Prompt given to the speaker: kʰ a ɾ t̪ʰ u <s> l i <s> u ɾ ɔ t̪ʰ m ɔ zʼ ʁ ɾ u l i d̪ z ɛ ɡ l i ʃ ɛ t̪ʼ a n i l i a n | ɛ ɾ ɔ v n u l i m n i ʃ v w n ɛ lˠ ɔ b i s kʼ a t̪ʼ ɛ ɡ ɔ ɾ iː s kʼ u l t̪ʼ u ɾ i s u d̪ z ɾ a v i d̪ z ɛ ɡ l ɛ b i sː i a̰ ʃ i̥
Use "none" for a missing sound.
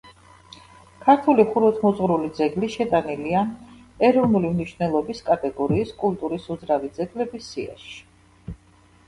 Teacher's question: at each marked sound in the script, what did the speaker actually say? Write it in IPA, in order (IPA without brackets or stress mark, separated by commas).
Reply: none, χ